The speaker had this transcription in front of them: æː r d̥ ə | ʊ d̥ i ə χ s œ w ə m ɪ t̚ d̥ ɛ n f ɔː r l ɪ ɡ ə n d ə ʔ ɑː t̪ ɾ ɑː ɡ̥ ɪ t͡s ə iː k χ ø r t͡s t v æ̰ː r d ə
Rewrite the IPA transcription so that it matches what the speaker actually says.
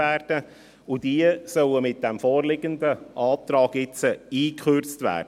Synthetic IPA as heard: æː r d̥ ə | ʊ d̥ i ə s œ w ə m ɪ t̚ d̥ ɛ m f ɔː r l ɪ ɡ ə n d ə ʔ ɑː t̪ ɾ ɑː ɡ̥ ɪ t͡s ə iː k χ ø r t͡s t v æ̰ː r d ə

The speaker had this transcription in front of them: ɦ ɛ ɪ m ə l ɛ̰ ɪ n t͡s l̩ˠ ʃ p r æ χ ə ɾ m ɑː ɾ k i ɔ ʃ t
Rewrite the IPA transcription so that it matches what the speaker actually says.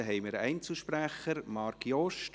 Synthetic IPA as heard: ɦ ɛ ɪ m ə ɾ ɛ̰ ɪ n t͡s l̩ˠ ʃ p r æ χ ə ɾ m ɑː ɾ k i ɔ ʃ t

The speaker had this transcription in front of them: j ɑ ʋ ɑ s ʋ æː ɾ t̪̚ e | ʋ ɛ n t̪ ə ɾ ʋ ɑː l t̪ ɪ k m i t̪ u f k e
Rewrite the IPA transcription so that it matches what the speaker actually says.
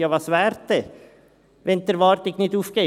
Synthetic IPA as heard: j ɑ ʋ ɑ s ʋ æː ɾ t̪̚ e | ʋ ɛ n t̪ ə ɾ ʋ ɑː ɾ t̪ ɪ k n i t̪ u f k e

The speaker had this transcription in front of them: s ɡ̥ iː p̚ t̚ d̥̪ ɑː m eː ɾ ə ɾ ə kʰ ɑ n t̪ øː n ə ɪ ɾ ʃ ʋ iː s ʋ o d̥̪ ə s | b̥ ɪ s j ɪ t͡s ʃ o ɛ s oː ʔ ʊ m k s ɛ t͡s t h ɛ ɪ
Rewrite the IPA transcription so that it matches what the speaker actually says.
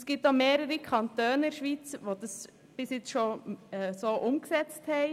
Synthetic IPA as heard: s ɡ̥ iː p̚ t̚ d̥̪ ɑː m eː ɾ ə ɾ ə kʰ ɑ n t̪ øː n ə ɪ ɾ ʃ ʋ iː t͡s ʋ o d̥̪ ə s | b̥ ɪ s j ɪ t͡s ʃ o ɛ s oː ʔ ʊ m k s ɛ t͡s t h ɛ ɪ

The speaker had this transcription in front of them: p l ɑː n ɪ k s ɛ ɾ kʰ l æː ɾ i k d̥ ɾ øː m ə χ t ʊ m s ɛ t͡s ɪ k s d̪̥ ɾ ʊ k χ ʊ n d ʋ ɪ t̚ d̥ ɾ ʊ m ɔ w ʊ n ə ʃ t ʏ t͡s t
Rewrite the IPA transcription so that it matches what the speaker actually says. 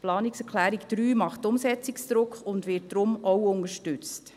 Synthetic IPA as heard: p l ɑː n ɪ k s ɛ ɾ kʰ l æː ɾ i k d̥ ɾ yː m ɑ χ t ʊ m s ɛ t͡s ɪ k s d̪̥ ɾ ʊ k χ ʊ n d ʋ ɪ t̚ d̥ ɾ ʊ m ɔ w ʊ n ə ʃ t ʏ t͡s t

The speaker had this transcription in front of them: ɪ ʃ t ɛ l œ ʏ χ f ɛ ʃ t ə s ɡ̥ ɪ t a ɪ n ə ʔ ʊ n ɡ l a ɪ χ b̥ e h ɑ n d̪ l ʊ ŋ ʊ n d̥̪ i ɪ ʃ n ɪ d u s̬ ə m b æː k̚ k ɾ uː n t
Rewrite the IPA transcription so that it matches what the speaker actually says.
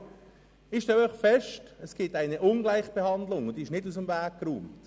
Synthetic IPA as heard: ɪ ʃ t ɛ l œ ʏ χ f ɛ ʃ t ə s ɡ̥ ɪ t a ɪ n ə ʔ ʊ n ɡ l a ɪ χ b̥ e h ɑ n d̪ l ʊ ŋ ʊ n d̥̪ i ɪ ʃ n ɪ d u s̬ ə m v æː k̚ k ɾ uː m t

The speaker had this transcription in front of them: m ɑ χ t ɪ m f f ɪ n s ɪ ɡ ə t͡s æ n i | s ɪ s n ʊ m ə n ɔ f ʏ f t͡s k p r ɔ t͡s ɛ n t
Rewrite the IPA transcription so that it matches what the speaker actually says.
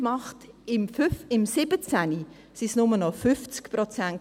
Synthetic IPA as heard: m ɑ χ t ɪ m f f ɪ m s ɪ b ə t͡s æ n i | s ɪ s n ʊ m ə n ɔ f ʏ f t͡s k p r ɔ t͡s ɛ n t

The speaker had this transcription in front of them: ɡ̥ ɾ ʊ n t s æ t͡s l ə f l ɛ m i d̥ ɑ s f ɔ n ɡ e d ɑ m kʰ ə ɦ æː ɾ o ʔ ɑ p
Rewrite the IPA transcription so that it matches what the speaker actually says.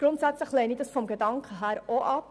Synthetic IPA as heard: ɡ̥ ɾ ʊ n t s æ t͡s l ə χ l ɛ n i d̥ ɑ s f ɔ m ɡ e d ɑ ŋ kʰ ə ɦ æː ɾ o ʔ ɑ p

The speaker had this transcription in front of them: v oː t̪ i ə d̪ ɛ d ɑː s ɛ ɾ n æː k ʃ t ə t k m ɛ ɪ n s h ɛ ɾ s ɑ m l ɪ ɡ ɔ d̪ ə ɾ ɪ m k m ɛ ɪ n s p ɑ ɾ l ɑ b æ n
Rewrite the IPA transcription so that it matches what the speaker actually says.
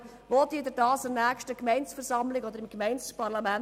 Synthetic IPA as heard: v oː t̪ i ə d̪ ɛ d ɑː s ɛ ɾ n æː k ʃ t ə k m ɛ ɪ n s f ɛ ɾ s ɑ m l ɪ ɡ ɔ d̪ ə ɾ ɪ m k m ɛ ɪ n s p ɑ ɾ l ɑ m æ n

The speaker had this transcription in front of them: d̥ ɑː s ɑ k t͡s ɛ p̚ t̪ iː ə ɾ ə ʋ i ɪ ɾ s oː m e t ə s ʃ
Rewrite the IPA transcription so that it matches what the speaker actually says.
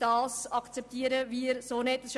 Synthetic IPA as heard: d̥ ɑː s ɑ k t͡s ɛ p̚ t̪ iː ə ɾ ə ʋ i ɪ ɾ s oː n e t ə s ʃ

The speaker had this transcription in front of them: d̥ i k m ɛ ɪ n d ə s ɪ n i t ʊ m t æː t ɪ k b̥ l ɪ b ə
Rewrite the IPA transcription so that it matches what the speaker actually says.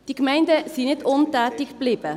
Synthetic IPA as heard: d̥ i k m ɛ ɪ n d ə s i n ɪ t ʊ n t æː t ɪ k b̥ l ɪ b ə

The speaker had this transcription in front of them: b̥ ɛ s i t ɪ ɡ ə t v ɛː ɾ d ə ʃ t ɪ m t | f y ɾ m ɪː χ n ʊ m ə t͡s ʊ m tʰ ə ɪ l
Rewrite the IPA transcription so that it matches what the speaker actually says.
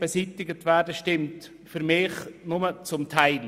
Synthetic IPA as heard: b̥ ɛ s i t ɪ ɡ ə t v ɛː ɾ d ə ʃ t ɪ m t | f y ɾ m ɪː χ n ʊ m ə t͡s ʊ m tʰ a ɪ l

